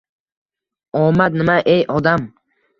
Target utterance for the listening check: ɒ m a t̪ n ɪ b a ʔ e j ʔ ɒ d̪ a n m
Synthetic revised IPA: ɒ m a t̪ n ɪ m a ʔ e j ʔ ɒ d̪ a m